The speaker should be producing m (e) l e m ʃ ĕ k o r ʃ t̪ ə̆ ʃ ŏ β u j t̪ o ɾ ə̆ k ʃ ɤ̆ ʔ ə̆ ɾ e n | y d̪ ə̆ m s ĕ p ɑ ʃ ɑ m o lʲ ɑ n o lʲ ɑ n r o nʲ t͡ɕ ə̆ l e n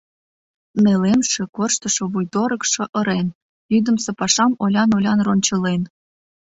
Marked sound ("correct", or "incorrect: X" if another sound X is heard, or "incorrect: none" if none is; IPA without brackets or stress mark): correct